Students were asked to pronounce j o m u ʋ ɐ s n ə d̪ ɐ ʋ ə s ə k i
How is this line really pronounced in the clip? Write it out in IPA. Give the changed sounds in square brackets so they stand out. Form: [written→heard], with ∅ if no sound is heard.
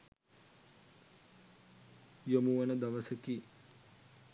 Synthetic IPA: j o m u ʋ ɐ [s→∅] n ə d̪ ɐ ʋ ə s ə k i